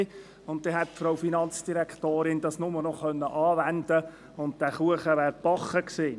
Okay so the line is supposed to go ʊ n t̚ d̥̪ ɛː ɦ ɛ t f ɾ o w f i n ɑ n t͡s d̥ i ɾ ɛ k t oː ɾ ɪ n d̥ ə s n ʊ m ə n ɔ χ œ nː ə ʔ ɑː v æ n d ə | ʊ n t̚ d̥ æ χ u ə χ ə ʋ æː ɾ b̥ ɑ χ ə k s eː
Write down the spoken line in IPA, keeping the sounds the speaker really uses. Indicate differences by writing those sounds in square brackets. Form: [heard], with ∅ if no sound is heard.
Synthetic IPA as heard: ʊ n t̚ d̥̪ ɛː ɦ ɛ t f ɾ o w f i n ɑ n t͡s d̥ i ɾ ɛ k t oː ɾ ɪ n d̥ [ɑ] s n ʊ m ə n ɔ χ œ nː ə ʔ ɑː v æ n d ə | ʊ n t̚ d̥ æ χ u ə χ ə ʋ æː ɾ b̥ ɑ χ ə k s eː